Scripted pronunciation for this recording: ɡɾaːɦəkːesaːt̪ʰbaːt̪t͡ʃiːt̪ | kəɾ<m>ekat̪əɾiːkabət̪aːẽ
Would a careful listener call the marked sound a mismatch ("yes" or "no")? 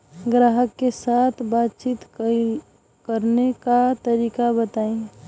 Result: yes